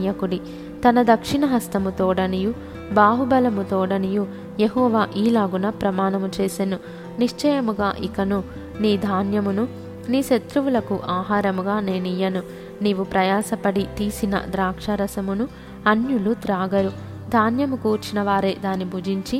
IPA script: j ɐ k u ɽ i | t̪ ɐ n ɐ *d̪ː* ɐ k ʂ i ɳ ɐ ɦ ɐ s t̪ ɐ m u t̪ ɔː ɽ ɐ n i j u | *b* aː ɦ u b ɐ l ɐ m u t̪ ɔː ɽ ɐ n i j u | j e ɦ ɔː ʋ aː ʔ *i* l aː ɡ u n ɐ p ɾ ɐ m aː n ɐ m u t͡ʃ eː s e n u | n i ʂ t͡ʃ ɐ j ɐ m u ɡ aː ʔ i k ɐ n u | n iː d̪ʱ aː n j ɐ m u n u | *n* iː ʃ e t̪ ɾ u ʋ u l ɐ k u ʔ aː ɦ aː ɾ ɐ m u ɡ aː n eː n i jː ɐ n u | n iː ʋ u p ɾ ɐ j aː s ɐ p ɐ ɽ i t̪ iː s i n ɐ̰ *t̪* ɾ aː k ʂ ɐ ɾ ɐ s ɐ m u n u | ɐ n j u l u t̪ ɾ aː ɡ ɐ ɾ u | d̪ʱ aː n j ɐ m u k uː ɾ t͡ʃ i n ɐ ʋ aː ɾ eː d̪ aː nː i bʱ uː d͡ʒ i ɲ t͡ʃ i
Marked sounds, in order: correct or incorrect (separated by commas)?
incorrect, correct, incorrect, correct, incorrect